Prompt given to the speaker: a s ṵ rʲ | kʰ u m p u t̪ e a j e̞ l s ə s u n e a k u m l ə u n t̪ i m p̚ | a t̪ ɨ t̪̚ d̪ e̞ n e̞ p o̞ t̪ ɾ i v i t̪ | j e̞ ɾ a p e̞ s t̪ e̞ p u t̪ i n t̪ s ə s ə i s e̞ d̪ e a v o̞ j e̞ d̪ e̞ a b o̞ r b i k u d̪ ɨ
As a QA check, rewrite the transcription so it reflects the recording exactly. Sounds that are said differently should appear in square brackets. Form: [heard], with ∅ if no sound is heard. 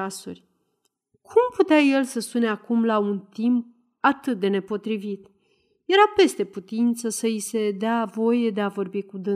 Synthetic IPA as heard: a s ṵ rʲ | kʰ u m p u t̪ e a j e̞ l s ə s u n e a k u m l [a] u n t̪ i m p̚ | a t̪ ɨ t̪̚ d̪ e̞ n e̞ p o̞ t̪ ɾ i v i t̪ | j e̞ ɾ a p e̞ s t̪ e̞ p u t̪ i n t̪ s ə s ə i s e̞ d̪ e a v o̞ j e̞ d̪ e̞ a [v] o̞ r b i k u d̪ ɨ